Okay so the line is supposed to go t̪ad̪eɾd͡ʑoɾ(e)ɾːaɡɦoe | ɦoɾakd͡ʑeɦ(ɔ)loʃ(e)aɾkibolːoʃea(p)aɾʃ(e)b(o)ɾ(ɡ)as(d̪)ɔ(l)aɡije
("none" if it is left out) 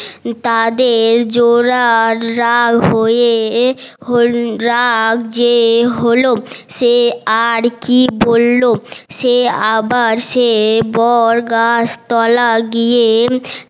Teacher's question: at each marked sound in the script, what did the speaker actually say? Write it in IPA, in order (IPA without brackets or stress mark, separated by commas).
a, o, e, b, e, ɔ, ɡ, t̪, l